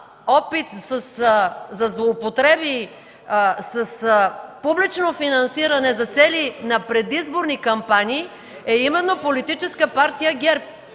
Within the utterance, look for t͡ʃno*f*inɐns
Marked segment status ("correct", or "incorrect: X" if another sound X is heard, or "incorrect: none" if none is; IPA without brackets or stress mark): correct